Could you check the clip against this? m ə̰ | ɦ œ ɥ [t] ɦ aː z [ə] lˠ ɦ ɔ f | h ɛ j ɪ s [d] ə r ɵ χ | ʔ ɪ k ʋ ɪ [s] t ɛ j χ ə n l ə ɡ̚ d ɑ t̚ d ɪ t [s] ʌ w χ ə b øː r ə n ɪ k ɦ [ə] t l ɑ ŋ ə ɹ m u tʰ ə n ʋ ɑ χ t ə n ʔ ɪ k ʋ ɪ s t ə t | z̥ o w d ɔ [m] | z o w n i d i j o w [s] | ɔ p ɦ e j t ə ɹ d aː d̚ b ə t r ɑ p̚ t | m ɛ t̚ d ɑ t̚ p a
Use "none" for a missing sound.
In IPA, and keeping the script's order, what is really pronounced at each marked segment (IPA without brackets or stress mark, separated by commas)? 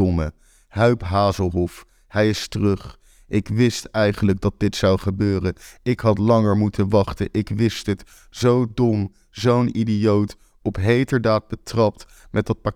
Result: p, ə, t, s, s, ɑ, m, t